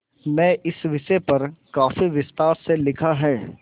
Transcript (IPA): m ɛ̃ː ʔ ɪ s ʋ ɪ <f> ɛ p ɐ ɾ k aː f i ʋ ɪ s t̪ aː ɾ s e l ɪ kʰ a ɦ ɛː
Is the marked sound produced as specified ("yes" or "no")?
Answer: no